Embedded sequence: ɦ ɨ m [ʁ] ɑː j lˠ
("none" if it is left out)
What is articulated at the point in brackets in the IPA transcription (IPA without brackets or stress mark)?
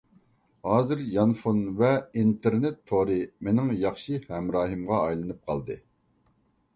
ʁ